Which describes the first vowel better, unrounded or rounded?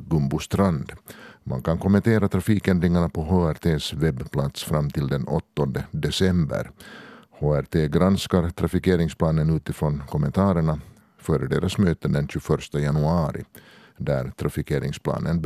rounded